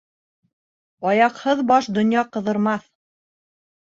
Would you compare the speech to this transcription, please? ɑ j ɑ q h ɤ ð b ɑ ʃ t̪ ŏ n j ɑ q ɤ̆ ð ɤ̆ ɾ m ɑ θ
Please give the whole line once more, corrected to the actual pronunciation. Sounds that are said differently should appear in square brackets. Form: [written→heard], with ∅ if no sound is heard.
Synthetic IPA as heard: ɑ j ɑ q h ɤ ð b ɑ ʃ [t̪→d̪] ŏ n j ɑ q ɤ̆ ð ɤ̆ ɾ m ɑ θ